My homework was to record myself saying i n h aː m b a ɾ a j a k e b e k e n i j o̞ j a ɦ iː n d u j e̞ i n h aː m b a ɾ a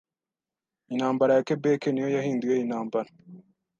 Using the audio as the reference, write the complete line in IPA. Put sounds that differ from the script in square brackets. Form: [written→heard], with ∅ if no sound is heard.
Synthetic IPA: i n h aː m b a ɾ a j a k e b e k e n i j o̞ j a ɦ iː n d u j e̞ i n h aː m b a ɾ a

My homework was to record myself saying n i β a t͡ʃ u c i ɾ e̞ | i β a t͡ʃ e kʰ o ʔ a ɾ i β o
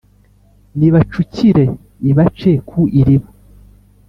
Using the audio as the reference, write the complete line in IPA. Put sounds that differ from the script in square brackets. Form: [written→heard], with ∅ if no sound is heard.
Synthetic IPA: n i β a t͡ʃ u c i ɾ e̞ | i β a t͡ʃ e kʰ [o→u] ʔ [a→i] ɾ i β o

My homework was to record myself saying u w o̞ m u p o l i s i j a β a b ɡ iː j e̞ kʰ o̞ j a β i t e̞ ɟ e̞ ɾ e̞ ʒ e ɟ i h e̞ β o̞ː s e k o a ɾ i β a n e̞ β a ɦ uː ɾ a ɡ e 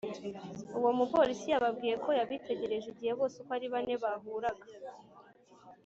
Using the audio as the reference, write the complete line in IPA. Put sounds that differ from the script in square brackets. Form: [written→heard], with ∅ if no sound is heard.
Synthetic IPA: u w o̞ m u p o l i s i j a β a b ɡ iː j e̞ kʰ o̞ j a β i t e̞ ɟ e̞ ɾ e̞ ʒ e ɟ i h e̞ β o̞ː s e k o a ɾ i β a n e̞ β a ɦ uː ɾ a ɡ [e→a]

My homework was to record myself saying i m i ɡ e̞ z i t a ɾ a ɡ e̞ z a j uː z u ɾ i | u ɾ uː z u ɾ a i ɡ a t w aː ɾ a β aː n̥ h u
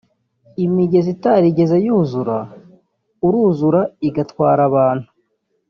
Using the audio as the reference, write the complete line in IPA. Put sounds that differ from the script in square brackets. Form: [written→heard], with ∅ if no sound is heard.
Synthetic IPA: i m i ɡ e̞ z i t a ɾ [a→i] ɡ e̞ z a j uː z u ɾ [i→a] | u ɾ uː z u ɾ a i ɡ a t w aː ɾ a β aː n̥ h u

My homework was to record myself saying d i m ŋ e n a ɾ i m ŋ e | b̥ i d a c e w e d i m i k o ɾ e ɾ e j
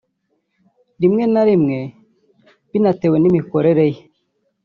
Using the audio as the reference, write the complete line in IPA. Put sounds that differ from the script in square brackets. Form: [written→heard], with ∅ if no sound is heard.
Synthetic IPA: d i m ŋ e n a ɾ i m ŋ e | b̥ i [d→n] a [c→t] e w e [d→n] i m i k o ɾ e ɾ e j

